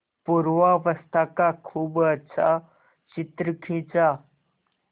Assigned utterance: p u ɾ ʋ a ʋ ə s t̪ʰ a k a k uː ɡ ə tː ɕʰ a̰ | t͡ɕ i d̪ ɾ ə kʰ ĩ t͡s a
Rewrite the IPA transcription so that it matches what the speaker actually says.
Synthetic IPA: p u ɾ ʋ a ʋ ə s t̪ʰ a k a kʰ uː b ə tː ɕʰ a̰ | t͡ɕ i t̪ ɾ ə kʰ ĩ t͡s a